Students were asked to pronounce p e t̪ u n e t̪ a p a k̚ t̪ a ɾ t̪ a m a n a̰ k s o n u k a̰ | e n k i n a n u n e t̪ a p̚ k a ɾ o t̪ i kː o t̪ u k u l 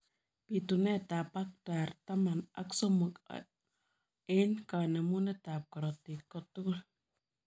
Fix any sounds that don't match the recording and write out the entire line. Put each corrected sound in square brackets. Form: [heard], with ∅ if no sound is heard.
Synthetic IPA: p [i] t̪ u n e t̪ a p a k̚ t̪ a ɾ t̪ a m a n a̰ k s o [m] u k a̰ | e n k [a] n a [m] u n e t̪ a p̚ k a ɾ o t̪ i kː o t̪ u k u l